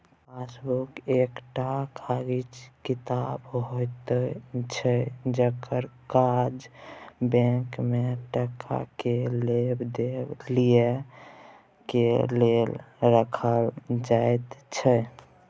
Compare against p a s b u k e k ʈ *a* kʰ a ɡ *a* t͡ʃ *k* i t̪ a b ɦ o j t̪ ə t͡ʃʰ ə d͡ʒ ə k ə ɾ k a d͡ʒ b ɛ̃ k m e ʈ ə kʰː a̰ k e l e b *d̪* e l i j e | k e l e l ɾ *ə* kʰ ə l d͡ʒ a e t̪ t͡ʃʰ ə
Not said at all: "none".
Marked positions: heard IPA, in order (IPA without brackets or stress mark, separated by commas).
a, i, k, d̪, ə